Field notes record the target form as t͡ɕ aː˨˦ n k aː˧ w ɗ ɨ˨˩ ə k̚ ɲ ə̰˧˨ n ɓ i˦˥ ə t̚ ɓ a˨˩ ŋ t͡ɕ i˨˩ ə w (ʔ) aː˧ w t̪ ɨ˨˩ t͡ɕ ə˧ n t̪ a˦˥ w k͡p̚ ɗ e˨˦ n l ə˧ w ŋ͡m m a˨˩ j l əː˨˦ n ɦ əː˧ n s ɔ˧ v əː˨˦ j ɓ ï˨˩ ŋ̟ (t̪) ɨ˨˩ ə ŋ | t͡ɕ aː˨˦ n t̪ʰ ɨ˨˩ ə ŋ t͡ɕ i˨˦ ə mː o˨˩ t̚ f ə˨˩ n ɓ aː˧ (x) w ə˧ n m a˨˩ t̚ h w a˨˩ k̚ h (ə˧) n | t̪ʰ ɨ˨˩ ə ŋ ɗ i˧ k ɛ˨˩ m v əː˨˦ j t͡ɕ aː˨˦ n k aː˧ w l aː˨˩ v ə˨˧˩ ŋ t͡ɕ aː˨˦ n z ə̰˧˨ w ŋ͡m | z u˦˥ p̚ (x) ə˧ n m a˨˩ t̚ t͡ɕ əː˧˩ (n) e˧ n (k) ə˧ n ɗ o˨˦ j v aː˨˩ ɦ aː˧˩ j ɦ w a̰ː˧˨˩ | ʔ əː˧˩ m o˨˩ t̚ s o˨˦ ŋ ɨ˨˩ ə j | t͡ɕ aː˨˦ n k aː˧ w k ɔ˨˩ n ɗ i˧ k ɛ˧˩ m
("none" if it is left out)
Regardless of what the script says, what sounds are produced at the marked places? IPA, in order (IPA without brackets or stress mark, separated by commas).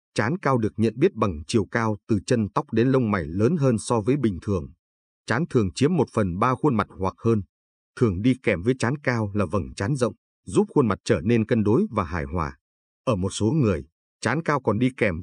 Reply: k, t̪ʰ, x, əː˧, x, n, k